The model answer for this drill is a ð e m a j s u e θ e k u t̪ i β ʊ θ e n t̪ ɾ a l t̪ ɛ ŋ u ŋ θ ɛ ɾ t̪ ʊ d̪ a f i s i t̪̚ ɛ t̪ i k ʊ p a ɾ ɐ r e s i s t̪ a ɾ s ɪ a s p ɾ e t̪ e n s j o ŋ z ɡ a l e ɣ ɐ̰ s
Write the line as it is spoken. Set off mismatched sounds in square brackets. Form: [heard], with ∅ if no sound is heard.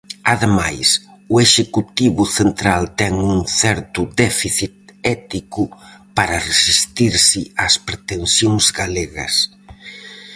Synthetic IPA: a ð e m a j s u e [ʃ] e k u t̪ i β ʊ θ e n t̪ ɾ a l t̪ ɛ ŋ u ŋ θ ɛ ɾ t̪ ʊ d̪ [ɛ] f i [θ] i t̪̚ ɛ t̪ i k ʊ p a ɾ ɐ r e s i s t̪ [i] ɾ s ɪ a s p ɾ e t̪ e n s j o ŋ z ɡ a l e ɣ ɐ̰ s